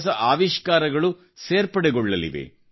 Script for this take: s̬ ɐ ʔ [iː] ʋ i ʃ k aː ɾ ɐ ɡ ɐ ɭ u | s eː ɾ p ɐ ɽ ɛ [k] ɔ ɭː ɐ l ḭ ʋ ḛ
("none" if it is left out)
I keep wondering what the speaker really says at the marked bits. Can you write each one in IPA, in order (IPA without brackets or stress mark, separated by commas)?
aː, ɡ